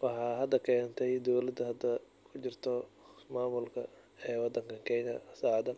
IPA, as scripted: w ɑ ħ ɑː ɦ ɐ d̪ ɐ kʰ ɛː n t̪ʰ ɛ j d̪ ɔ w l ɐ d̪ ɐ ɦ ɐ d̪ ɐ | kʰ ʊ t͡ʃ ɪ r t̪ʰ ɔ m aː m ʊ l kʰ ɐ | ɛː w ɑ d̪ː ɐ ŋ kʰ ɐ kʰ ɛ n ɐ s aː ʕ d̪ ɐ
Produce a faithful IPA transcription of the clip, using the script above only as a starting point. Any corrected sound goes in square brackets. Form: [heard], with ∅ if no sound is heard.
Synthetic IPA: w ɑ ħ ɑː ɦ ɐ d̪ ɐ kʰ ɛː n t̪ʰ ɛ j d̪ ɔ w l ɐ d̪ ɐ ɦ ɐ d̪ ɐ | kʰ ʊ t͡ʃ ɪ r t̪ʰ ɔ m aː m ʊ l kʰ ɐ | ɛː w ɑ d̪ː ɐ ŋ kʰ ɐ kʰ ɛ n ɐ s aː ʕ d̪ ɐ

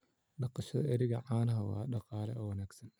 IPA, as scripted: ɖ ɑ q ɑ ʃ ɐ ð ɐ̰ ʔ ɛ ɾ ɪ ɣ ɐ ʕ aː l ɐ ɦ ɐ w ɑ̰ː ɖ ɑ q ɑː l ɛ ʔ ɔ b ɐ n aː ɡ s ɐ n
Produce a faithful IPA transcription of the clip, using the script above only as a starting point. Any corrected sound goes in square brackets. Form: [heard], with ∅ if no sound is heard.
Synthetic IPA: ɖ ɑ q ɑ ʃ ɐ ð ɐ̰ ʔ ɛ ɾ ɪ ɣ ɐ ʕ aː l ɐ ɦ ɐ w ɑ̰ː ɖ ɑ q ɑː l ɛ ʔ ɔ [w] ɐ n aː ɡ s ɐ n

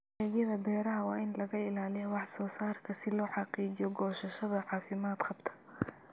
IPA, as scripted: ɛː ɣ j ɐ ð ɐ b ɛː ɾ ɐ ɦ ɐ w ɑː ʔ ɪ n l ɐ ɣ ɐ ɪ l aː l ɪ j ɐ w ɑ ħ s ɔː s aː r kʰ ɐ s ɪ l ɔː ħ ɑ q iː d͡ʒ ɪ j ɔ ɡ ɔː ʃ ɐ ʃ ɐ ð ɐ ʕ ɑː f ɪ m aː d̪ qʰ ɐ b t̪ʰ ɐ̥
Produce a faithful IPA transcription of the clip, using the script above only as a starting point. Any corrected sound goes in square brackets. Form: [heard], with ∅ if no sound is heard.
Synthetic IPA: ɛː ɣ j ɐ ð ɐ b ɛː ɾ ɐ ɦ ɐ w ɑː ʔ ɪ n l ɐ ɣ ɐ ɪ l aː l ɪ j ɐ w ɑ ħ s ɔː s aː r kʰ ɐ s ɪ l ɔː ħ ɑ q iː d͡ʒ ɪ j ɔ ɡ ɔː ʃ ɐ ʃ ɐ ð ɐ ʕ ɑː f ɪ m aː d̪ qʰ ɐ b t̪ʰ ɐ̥

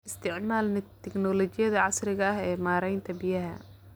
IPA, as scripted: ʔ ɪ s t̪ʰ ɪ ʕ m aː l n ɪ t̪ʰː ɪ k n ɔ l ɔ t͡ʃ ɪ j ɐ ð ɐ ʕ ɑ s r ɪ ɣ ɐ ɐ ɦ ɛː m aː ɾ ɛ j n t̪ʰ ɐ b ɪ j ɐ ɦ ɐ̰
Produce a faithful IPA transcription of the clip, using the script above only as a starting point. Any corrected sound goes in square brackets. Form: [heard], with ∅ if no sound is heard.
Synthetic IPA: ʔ ɪ s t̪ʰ ɪ ʕ m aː l n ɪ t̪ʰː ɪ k n ɔ l ɔ t͡ʃ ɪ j ɐ ð ɐ ʕ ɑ s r ɪ ɣ ɐ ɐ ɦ ɛː m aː ɾ ɛ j n t̪ʰ ɐ b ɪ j ɐ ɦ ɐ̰

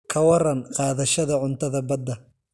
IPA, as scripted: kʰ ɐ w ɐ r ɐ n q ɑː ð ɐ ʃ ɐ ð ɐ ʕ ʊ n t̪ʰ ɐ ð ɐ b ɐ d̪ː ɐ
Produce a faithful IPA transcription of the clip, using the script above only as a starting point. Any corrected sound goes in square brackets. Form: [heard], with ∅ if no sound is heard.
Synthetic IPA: kʰ ɐ w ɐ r ɐ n q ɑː ð ɐ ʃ ɐ ð ɐ ʕ ʊ n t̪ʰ ɐ ð ɐ b ɐ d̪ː ɐ

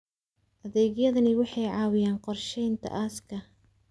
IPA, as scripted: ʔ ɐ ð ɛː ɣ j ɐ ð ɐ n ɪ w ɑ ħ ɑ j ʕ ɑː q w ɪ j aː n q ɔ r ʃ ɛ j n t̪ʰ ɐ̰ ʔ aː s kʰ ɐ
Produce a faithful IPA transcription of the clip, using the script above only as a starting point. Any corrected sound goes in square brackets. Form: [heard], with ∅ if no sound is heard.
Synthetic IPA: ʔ ɐ ð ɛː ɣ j ɐ ð ɐ n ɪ w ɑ ħ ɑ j ʕ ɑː [∅] w ɪ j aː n q ɔ r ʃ ɛ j n t̪ʰ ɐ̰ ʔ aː s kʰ ɐ

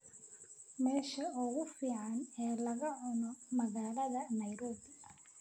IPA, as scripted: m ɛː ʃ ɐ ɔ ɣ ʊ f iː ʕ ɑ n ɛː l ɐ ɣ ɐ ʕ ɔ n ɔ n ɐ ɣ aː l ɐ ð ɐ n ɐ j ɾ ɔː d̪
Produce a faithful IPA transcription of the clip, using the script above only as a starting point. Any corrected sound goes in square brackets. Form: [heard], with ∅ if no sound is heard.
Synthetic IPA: m ɛː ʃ ɐ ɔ ɣ ʊ f iː ʕ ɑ n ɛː l ɐ ɣ ɐ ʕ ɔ n ɔ [m] ɐ ɣ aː l ɐ ð ɐ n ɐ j ɾ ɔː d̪

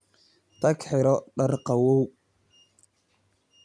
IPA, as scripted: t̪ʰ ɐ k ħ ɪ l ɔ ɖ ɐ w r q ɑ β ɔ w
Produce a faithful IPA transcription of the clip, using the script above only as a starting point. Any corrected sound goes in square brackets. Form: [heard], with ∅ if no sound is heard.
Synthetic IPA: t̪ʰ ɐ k ħ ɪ [ɾ] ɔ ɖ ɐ [∅] r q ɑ [w] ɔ w

